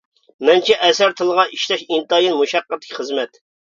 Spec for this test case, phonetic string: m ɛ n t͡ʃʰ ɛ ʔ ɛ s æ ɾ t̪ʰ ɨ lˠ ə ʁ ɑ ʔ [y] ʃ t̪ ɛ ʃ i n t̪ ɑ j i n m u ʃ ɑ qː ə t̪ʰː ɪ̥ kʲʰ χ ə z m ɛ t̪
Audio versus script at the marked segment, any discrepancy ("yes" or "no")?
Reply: yes